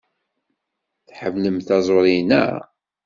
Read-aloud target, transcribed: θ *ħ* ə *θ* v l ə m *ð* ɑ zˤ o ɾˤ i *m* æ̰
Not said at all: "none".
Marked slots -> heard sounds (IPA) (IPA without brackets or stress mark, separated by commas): ħ, none, θ, n